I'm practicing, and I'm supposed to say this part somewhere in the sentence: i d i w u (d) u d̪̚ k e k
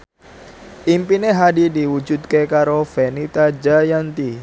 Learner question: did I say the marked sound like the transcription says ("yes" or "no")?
no